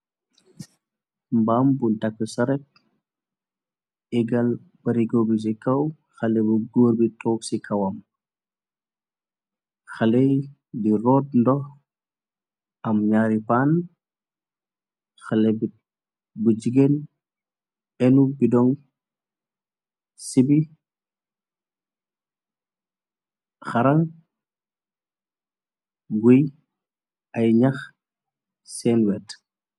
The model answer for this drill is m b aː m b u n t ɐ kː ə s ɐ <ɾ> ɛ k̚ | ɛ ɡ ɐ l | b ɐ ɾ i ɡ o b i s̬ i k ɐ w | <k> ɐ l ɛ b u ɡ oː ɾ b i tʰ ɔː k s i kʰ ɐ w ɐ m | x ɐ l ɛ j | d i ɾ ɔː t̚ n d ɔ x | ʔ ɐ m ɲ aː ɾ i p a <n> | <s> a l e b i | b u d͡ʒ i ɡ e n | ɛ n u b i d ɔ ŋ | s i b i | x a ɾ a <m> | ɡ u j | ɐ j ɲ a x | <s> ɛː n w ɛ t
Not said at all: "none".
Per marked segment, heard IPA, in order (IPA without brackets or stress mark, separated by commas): ɾ, x, n, x, ŋ, s